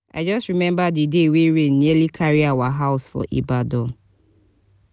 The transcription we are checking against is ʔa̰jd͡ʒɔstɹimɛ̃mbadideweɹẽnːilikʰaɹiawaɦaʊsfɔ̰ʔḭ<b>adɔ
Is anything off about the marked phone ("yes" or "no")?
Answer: no